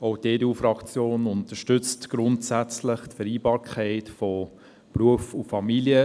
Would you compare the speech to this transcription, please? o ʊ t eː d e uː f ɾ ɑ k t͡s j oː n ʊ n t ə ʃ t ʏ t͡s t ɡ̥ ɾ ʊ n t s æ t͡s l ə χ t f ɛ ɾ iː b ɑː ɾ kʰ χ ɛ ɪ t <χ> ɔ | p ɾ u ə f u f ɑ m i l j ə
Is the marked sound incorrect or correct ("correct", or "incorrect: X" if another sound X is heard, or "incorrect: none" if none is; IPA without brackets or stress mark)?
incorrect: f